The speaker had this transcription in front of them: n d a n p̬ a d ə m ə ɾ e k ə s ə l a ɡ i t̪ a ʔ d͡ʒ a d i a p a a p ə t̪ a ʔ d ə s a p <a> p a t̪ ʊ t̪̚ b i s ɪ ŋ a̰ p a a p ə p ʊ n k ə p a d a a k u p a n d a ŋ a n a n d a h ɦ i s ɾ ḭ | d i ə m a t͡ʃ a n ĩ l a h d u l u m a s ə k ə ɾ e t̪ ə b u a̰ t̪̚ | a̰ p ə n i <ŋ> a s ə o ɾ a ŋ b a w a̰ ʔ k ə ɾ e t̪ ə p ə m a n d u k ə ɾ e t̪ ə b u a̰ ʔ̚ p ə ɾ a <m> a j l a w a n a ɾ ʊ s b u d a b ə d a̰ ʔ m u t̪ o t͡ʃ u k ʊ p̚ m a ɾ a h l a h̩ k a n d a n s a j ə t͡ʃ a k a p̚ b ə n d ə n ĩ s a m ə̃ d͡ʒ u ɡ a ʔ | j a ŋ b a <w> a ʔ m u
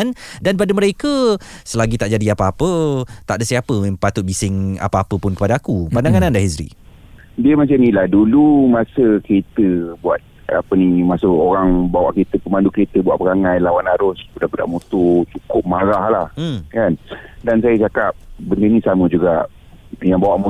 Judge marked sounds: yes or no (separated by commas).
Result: no, no, no, yes